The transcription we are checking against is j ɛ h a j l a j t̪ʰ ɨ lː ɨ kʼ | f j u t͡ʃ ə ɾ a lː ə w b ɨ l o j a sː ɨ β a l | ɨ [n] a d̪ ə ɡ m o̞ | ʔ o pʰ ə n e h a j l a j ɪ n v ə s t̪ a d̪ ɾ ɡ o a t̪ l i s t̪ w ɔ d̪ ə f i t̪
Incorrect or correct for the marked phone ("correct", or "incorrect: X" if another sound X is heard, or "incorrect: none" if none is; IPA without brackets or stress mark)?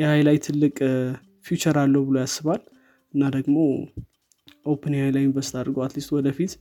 incorrect: nː